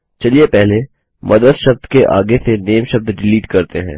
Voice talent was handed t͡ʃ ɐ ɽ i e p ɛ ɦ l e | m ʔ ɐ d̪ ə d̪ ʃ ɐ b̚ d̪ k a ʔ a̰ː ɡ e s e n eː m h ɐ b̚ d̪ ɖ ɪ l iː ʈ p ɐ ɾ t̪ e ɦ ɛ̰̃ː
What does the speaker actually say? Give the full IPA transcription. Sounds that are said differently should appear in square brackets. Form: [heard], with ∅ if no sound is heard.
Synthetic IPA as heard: t͡ʃ ɐ [l] i e p ɛ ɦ l e | m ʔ ɐ d̪ ə d̪ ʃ ɐ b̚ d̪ k [e] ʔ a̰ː ɡ e s e n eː m [ʃ] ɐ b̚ d̪ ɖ ɪ l iː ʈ [k] ɐ ɾ t̪ e ɦ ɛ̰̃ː